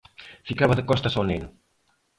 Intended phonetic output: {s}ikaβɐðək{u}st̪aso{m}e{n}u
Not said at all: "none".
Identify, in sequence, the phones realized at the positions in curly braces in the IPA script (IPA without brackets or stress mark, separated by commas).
f, ɔ, n, n